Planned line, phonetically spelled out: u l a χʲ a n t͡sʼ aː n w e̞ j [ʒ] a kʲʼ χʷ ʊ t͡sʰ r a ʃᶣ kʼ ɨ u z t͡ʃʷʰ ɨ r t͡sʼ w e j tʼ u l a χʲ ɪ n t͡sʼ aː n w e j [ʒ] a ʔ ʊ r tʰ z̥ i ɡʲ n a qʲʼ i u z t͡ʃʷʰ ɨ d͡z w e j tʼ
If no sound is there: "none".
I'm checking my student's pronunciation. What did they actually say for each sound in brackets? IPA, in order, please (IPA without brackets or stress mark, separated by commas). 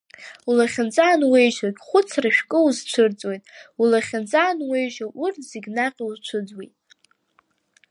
ʒ, ʒ